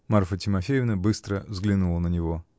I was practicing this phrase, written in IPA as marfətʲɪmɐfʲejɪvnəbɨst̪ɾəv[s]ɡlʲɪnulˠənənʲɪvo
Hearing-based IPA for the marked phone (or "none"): z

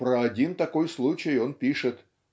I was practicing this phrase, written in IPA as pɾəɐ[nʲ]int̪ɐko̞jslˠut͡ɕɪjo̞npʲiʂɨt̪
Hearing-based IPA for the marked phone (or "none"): dʲ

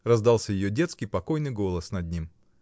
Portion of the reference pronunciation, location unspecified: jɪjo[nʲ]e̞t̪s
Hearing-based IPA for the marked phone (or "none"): dʲ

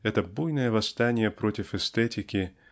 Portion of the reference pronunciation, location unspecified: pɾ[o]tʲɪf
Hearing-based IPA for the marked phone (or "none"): o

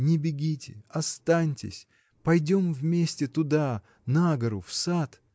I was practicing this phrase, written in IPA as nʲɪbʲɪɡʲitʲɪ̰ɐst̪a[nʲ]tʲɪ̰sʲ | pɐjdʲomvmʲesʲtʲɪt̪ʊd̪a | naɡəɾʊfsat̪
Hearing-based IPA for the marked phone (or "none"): nʲ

